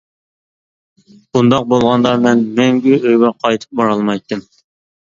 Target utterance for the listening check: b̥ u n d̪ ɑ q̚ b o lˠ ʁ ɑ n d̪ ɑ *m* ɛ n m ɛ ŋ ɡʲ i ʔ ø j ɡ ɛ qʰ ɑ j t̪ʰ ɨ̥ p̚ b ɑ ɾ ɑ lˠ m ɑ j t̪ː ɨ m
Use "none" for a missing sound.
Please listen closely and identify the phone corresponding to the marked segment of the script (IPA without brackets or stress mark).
m